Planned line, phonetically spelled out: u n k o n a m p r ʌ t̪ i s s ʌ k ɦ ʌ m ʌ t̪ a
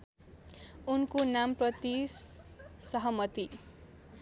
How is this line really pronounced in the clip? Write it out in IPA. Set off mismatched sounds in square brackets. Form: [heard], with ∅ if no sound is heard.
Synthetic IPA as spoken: u n k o n a m p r ʌ t̪ i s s ʌ [∅] ɦ ʌ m ʌ t̪ [i]